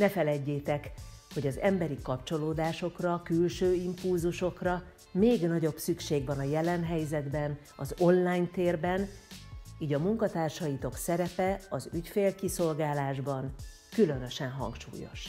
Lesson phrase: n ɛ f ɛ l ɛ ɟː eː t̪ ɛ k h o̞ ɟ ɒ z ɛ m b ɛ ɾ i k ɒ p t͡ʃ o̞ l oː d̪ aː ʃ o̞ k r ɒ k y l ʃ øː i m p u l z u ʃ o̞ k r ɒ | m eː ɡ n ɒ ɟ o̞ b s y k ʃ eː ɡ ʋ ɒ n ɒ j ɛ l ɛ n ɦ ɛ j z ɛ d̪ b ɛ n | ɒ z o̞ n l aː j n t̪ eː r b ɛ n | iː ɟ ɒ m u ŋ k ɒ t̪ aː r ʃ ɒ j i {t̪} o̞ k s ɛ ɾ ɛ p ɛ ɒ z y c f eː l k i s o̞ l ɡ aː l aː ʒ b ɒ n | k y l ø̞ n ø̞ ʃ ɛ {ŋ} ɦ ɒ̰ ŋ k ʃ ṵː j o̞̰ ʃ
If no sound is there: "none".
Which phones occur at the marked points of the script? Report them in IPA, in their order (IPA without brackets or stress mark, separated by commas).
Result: t̪, n